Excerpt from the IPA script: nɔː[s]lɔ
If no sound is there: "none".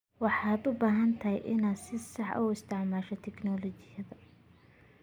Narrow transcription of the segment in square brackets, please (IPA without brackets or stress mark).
none